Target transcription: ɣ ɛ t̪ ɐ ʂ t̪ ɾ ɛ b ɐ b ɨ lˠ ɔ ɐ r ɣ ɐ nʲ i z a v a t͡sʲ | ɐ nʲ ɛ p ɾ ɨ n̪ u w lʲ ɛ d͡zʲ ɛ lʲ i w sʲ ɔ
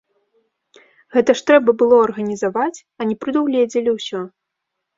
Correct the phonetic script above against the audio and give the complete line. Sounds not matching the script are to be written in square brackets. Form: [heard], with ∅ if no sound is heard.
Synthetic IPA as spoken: ɣ ɛ t̪ ɐ ʂ t̪ ɾ ɛ b ɐ b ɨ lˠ ɔ ɐ r ɣ ɐ nʲ i z a v a t͡sʲ | ɐ nʲ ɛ p ɾ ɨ [d̪] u w lʲ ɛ d͡zʲ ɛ lʲ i w sʲ ɔ